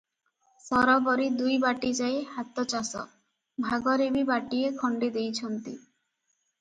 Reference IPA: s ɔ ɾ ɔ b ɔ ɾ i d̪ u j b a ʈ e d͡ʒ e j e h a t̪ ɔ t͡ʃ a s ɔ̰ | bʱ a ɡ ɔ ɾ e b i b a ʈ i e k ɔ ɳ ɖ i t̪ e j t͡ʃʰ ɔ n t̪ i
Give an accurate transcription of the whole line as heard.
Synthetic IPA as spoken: s ɔ ɾ ɔ b ɔ ɾ i d̪ u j b a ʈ i d͡ʒ a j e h a t̪ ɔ t͡ʃ a s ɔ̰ | bʱ a ɡ ɔ ɾ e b i b a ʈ i e kʰ ɔ ɳ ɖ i d̪ e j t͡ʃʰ ɔ n t̪ i